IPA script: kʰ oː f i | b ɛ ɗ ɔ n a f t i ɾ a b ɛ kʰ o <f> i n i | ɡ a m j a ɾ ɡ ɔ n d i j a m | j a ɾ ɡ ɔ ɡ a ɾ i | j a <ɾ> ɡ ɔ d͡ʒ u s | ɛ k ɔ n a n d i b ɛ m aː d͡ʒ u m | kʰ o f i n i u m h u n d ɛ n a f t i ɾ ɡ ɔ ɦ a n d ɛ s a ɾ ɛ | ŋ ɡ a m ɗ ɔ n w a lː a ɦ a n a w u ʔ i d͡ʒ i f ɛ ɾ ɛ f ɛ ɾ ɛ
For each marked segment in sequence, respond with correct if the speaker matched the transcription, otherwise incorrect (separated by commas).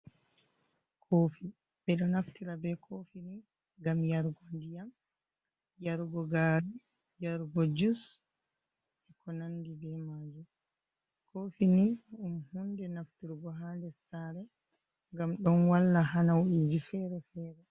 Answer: correct, correct